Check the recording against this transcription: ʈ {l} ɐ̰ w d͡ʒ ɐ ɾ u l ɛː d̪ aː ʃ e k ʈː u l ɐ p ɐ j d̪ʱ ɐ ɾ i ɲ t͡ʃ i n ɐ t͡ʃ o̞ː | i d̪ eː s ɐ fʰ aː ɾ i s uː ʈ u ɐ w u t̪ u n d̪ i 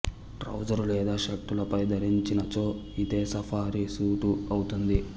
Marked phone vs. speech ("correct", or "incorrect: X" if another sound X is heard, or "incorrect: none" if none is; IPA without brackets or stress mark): incorrect: ɾ